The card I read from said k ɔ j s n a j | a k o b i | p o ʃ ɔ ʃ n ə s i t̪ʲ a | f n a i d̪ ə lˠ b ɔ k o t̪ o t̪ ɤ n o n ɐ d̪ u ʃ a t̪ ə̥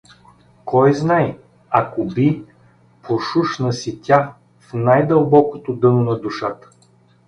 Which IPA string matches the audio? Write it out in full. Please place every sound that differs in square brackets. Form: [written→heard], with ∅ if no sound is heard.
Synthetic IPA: k ɔ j [s→z] n a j | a k o b i | p o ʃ [ɔ→u] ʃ n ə s i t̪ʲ a | f n a [i→j] d̪ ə lˠ b ɔ k o t̪ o [t̪→d̪] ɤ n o n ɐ d̪ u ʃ a t̪ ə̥